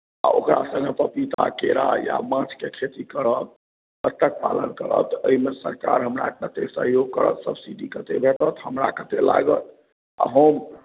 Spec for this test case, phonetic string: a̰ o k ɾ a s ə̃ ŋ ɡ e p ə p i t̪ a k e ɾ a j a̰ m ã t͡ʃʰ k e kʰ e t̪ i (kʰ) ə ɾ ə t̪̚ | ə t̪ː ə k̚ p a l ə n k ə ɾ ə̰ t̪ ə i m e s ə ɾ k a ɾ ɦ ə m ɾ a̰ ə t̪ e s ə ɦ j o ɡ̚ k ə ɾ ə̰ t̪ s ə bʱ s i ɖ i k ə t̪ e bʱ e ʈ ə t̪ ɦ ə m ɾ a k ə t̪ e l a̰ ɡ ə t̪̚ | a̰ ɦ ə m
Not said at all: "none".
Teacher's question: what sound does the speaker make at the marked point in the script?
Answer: k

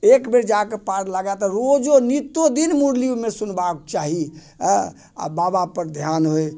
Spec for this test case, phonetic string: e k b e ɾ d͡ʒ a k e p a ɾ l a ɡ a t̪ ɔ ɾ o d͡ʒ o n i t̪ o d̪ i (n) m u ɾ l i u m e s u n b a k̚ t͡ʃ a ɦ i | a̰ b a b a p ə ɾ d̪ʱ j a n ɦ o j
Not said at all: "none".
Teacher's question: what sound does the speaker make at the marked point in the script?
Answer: n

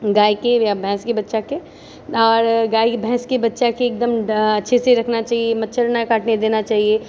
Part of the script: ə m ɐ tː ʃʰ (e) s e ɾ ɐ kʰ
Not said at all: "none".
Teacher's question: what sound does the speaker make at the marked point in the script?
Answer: e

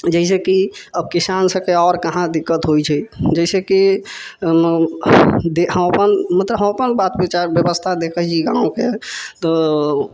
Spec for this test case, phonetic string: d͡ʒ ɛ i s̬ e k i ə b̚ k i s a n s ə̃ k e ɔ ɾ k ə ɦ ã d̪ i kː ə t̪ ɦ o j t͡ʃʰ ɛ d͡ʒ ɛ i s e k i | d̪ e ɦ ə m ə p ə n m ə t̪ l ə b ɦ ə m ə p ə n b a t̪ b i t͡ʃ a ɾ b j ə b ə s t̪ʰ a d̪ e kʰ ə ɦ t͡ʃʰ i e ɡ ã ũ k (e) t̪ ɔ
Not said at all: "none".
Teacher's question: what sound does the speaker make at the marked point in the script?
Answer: e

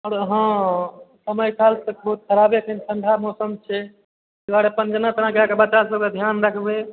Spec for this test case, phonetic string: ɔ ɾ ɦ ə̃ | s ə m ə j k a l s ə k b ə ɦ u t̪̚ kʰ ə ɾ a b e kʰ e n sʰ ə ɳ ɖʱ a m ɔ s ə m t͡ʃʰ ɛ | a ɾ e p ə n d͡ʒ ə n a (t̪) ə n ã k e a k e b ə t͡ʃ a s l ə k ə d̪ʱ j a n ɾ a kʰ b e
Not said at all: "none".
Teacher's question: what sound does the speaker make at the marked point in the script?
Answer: t̪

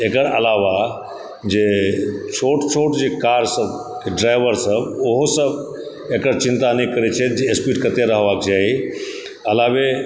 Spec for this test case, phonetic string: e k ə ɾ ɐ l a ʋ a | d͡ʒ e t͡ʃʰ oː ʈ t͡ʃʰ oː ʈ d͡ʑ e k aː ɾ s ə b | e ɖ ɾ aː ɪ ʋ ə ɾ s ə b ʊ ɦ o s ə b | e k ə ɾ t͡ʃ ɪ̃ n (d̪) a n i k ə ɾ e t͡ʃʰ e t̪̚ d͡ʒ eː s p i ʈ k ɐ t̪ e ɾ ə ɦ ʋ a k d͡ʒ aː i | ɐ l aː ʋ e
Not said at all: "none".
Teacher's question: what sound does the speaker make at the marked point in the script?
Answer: t̪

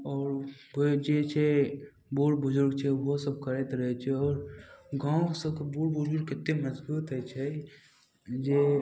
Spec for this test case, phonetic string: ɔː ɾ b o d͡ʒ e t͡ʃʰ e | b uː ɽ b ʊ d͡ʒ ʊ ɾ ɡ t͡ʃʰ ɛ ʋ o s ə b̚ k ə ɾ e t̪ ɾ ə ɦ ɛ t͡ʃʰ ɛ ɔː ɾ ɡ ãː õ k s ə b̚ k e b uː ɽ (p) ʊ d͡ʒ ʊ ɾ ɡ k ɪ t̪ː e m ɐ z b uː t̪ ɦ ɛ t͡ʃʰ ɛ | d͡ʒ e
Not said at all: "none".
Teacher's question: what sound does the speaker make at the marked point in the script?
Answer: b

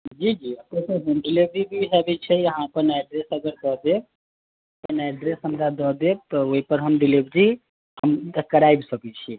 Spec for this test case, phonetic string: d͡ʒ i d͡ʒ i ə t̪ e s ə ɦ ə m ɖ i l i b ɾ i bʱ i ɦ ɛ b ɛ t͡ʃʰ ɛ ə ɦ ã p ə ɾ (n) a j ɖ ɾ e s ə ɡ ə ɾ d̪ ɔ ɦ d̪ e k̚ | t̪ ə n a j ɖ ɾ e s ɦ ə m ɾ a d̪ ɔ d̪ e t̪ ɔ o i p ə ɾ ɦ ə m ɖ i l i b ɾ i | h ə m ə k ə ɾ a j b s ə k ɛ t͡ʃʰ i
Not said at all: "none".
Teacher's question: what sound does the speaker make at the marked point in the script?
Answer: n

